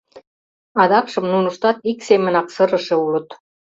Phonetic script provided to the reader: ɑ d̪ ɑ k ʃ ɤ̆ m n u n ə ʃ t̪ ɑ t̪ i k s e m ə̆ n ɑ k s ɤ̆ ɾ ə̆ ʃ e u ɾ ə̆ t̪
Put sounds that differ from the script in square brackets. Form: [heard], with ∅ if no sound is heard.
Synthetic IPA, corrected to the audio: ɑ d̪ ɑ k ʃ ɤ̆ m n u n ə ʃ t̪ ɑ t̪ i k s e m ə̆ n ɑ k s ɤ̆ ɾ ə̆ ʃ e u [l] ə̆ t̪